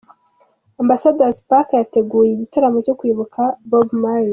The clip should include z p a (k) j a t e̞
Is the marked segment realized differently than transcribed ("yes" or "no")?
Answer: no